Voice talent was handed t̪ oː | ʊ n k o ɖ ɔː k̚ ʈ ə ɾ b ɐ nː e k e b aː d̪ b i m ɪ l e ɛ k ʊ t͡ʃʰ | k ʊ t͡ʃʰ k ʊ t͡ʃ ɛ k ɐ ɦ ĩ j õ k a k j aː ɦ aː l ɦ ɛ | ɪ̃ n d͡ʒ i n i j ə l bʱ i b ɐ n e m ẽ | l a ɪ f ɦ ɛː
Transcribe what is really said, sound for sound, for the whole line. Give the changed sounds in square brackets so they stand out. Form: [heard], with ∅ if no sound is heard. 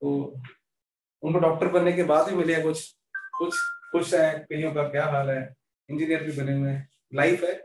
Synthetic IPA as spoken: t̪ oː | ʊ n k o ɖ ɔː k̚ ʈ ə ɾ b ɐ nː e k e b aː d̪ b i m ɪ l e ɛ k ʊ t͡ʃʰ | k ʊ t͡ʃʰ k ʊ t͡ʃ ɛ k ɐ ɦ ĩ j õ k a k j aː ɦ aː l ɦ ɛ | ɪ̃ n d͡ʒ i n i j ə [ɾ] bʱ i b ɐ n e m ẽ | l a ɪ f ɦ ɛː